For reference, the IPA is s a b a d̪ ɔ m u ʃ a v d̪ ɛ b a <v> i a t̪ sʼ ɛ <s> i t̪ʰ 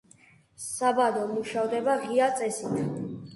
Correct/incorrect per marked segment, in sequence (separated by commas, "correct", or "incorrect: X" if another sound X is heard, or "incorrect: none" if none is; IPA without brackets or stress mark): incorrect: ʁ, correct